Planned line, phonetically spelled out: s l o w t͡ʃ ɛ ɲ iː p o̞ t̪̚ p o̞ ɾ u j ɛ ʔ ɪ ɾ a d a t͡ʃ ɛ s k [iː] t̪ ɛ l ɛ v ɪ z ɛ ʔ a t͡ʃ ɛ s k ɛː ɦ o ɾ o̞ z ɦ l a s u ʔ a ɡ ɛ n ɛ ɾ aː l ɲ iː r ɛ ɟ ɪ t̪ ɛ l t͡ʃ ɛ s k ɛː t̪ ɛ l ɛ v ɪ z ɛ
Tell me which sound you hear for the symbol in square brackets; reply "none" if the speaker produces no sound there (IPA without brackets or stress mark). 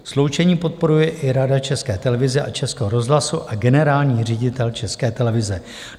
ɛː